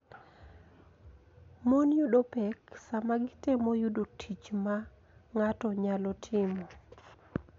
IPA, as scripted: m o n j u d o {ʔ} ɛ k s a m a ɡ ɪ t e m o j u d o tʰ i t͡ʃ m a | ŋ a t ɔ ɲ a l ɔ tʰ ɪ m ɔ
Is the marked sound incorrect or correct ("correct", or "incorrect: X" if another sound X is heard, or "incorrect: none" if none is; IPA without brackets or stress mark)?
incorrect: p